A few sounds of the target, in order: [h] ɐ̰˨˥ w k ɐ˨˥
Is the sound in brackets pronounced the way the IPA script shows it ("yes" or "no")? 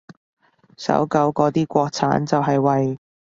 no